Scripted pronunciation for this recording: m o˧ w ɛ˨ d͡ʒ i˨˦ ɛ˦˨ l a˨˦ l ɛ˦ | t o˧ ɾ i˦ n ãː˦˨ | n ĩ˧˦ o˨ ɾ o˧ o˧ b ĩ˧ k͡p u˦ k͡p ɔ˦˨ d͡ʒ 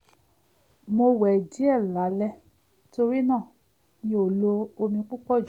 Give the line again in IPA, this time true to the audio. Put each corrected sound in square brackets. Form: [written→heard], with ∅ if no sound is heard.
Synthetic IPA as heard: m o˧ w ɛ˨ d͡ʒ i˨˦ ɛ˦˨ l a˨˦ l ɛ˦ | t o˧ ɾ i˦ n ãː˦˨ | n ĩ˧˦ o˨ [ɾ→l] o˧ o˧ [b→m] ĩ˧ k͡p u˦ k͡p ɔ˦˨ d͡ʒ